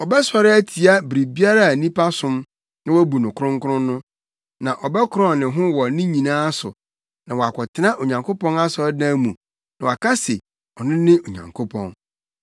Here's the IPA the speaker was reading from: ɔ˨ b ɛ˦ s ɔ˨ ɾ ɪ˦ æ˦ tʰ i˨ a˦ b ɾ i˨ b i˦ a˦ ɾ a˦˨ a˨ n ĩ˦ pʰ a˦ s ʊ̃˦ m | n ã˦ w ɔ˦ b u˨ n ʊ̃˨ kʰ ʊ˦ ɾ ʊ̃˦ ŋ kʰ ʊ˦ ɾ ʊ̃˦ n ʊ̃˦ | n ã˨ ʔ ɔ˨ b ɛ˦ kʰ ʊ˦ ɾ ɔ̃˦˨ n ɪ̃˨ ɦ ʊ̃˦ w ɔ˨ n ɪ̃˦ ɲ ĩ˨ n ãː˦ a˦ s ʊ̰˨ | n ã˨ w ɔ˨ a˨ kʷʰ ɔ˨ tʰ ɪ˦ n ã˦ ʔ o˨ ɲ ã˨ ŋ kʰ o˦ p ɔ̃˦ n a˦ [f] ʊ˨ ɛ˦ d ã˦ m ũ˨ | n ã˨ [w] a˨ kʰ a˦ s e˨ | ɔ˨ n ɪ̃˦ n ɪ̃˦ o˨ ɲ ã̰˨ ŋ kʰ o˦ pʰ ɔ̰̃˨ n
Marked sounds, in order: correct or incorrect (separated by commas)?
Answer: incorrect, correct